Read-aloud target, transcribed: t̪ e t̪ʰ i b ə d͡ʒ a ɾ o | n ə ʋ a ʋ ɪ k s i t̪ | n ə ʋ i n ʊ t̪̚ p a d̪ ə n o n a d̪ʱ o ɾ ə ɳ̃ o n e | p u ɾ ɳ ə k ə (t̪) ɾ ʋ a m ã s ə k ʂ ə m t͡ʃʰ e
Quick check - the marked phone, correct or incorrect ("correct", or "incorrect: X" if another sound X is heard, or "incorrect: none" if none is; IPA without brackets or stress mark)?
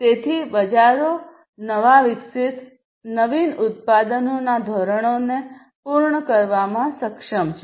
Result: incorrect: none